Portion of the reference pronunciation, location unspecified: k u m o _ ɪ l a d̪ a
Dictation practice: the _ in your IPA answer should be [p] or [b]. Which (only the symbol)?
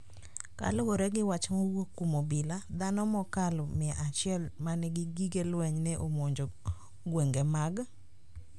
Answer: b